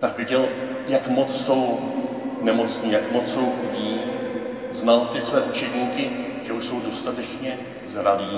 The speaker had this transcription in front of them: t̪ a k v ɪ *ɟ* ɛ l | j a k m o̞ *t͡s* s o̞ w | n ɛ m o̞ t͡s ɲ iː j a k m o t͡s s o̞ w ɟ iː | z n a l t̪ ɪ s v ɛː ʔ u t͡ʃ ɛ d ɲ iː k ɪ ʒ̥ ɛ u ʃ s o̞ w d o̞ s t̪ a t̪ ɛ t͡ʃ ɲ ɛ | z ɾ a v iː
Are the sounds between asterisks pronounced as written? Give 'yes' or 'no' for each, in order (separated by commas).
yes, yes